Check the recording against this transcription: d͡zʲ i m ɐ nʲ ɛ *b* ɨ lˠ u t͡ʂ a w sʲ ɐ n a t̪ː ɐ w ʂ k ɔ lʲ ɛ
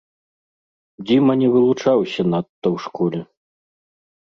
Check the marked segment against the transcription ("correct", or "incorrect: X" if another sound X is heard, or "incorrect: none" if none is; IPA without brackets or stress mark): incorrect: v